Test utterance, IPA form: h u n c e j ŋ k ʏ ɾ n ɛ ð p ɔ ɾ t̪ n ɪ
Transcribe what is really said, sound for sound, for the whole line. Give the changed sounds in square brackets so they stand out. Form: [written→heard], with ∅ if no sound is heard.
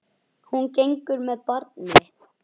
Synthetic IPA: h u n c e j ŋ k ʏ ɾ [n→m] ɛ ð p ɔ ɾ t̪ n ɪ